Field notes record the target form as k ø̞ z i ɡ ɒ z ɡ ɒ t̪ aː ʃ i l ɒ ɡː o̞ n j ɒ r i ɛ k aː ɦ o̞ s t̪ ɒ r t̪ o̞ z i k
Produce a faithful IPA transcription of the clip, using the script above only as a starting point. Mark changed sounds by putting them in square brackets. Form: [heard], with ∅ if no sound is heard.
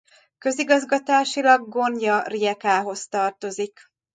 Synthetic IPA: k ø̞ z i ɡ ɒ z ɡ ɒ t̪ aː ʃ i l ɒ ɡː o̞ n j ɒ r i ɛ k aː ɦ o̞ s t̪ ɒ r t̪ o̞ z i k